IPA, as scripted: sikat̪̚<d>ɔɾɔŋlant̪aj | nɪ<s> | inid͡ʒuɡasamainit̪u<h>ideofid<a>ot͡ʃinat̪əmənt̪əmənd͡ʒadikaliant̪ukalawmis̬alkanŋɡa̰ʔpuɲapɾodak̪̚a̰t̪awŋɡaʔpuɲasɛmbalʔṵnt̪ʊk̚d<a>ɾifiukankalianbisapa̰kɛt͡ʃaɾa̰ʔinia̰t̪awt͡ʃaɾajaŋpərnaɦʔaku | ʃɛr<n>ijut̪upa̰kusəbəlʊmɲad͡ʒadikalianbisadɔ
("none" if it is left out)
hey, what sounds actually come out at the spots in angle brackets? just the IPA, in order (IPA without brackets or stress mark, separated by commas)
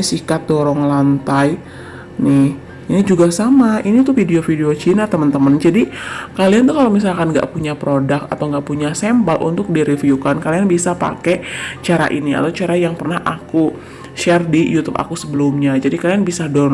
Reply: d, h, f, e, i, d